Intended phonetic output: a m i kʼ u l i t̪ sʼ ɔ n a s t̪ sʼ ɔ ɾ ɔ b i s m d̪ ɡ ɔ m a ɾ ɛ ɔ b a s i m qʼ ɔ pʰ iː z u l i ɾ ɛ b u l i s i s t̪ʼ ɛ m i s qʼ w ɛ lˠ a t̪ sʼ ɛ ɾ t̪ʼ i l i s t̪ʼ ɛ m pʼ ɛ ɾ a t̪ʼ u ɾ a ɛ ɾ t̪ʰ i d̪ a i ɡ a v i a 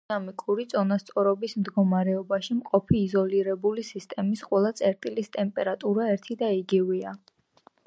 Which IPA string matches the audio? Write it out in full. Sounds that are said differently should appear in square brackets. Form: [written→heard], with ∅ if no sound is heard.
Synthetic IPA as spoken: a m i kʼ u [l→ɾ] i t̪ sʼ ɔ n a s t̪ sʼ ɔ ɾ ɔ b i s m d̪ ɡ ɔ m a ɾ ɛ ɔ b a [s→ʃ] i m qʼ ɔ pʰ iː z [u→ɔ] l i ɾ ɛ b u l i s i s t̪ʼ ɛ m i s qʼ w ɛ lˠ a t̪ sʼ ɛ ɾ t̪ʼ i l i s t̪ʼ ɛ m pʼ ɛ ɾ a t̪ʼ u ɾ a ɛ ɾ t̪ʰ i d̪ a i ɡ [a→i] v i a